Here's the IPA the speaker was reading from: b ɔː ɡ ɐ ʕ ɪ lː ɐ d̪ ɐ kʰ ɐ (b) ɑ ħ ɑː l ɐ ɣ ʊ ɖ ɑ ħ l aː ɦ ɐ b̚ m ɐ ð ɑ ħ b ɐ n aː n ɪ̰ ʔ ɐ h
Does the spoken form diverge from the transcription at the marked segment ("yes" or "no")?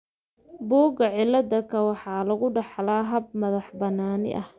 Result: yes